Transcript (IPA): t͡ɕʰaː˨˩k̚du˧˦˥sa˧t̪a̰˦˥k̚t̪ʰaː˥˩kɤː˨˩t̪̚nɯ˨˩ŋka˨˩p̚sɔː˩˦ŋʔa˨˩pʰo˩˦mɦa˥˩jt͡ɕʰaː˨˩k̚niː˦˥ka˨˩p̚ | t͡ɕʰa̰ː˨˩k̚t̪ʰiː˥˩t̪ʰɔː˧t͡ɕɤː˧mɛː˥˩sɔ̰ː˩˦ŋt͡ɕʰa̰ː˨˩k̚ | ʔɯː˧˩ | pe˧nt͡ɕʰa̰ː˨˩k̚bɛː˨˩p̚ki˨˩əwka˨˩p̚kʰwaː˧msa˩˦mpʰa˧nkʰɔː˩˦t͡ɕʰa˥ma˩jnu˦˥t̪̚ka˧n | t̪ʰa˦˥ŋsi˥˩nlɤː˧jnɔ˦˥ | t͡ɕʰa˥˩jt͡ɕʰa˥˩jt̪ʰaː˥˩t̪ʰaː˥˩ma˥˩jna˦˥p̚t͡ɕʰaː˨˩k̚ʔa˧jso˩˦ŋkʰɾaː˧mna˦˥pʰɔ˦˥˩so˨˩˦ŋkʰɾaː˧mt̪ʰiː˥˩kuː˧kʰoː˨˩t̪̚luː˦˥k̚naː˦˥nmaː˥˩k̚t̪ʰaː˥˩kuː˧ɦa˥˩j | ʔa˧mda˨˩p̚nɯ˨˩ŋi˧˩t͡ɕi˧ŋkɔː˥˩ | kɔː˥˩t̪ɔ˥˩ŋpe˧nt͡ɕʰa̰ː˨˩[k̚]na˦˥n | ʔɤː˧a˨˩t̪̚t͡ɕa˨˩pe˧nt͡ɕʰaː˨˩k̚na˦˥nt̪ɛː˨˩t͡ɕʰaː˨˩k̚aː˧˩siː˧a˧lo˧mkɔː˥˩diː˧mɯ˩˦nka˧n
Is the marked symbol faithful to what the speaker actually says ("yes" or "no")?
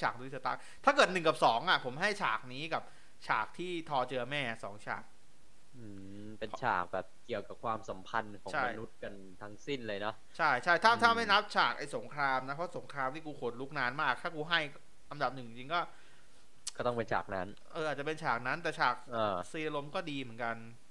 yes